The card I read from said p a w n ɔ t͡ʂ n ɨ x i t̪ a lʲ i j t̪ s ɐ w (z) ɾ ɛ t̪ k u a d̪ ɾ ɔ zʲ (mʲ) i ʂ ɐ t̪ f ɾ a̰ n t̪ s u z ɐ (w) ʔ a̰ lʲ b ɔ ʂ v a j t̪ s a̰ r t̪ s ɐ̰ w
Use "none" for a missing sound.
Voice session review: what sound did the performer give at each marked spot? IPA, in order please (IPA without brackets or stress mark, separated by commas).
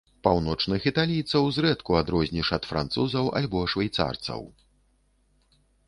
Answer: z, nʲ, w